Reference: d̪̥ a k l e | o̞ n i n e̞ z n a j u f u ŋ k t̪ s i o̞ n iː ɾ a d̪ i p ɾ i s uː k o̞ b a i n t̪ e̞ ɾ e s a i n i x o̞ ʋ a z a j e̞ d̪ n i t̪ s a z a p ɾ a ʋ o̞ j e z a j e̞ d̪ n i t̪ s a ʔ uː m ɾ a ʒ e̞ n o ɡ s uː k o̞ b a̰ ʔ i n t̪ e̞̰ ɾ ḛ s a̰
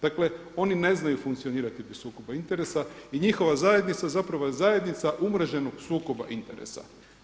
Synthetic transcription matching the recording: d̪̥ a k l e | o̞ n i n e̞ z n a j u f u ŋ k t̪ s i o̞ n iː ɾ a t̪ i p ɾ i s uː k o̞ b a i n t̪ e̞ ɾ e s a i ɲ i x o̞ ʋ a z a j e̞ d̪ n i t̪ s a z a p ɾ a ʋ o̞ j e z a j e̞ d̪ n i t̪ s a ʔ u m ɾ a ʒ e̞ n o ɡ s uː k o̞ b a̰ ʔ i n t̪ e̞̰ ɾ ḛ s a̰